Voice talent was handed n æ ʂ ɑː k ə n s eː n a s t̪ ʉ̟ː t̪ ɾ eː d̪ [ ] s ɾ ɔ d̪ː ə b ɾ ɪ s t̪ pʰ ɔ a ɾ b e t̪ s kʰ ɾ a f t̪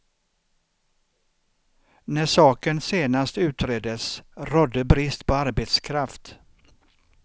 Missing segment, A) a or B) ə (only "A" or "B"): B